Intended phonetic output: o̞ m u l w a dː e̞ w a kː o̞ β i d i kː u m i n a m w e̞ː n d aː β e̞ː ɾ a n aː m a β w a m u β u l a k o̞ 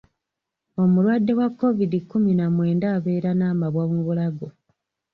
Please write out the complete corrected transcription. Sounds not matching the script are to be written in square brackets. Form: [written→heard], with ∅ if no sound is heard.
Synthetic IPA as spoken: o̞ m u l w a dː e̞ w a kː o̞ [β→v] i d i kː u m i n a m w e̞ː n d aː β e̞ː ɾ a n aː m a β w a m u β u l a [k→ɡ] o̞